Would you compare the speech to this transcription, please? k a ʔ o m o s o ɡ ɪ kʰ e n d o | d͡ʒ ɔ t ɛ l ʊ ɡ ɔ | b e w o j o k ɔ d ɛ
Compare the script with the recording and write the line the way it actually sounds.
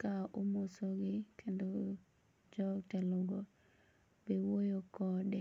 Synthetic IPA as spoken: k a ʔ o m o s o ɡ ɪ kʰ e n d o | d͡ʒ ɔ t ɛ l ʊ ɡ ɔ | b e w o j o k ɔ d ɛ